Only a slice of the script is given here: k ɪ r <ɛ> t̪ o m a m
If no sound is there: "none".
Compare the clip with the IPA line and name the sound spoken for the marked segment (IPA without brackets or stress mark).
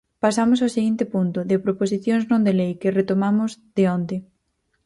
e